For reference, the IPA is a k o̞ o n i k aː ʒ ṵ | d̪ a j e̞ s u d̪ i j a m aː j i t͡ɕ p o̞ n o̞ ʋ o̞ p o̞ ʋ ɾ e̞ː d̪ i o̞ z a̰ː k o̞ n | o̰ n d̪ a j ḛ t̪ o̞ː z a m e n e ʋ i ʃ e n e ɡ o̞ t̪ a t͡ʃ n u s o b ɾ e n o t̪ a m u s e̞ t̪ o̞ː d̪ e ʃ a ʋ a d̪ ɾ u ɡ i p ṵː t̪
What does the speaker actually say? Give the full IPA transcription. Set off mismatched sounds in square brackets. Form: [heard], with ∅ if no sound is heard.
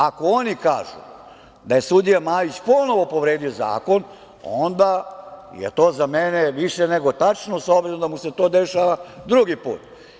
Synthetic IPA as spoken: a k o̞ o n i k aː ʒ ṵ | d̪ a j e̞ s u d̪ i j a m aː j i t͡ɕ p o̞ n o̞ ʋ o̞ p o̞ ʋ ɾ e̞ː d̪ i o̞ z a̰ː k o̞ n | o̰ n d̪ a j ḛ t̪ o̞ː z a m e n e ʋ i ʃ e n e ɡ o̞ t̪ a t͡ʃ n [o] s o b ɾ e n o [d̪] a m u s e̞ t̪ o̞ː d̪ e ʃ a ʋ a d̪ ɾ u ɡ i p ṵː t̪